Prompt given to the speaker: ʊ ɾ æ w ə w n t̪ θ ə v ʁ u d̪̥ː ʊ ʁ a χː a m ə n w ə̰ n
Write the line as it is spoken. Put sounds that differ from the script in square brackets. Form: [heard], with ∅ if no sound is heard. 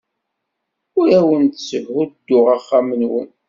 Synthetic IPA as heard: ʊ ɾ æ w ə [∅] n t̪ [s] ə v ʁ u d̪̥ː ʊ ʁ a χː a m ə n w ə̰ n